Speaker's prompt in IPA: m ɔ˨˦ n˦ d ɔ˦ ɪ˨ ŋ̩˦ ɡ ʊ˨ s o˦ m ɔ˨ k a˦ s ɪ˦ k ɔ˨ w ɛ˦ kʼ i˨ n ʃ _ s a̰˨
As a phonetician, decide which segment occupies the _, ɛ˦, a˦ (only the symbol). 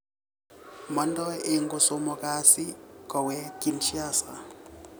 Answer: a˦